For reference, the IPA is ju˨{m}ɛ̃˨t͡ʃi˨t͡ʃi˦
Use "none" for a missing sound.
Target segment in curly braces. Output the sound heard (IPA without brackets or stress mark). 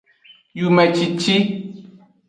m